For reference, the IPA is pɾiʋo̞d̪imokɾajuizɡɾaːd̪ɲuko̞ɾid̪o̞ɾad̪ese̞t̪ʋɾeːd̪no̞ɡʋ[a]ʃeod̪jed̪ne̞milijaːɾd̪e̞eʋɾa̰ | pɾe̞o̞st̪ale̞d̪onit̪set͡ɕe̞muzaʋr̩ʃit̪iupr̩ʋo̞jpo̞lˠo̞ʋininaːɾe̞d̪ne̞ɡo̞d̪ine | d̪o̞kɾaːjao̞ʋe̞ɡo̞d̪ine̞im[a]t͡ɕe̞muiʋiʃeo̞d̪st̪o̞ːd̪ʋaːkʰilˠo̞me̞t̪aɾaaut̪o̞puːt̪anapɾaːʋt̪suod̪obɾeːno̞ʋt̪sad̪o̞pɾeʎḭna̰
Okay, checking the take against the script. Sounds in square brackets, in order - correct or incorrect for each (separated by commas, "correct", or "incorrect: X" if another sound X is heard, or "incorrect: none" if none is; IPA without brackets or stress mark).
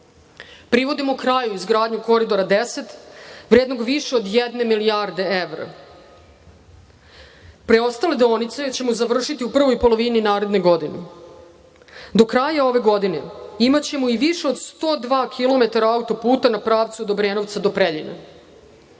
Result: incorrect: i, correct